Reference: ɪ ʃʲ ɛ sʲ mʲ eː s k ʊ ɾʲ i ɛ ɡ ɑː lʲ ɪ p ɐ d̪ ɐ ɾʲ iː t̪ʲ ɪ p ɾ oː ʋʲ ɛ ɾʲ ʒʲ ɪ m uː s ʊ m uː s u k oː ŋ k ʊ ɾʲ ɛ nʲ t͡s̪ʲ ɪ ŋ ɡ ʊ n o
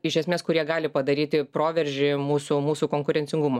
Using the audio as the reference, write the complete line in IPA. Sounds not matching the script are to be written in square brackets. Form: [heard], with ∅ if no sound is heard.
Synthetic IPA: ɪ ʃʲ ɛ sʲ mʲ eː s k ʊ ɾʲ i ɛ ɡ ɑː lʲ ɪ p ɐ d̪ ɐ ɾʲ iː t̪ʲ ɪ p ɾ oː ʋʲ ɛ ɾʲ ʒʲ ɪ m uː s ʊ m uː s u k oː ŋ k ʊ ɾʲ ɛ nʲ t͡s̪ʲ ɪ ŋ ɡ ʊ [m] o